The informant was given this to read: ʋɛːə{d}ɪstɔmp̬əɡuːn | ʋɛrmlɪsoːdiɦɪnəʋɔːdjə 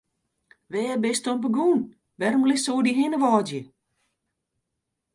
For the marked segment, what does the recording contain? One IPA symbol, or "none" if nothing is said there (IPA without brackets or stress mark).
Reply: b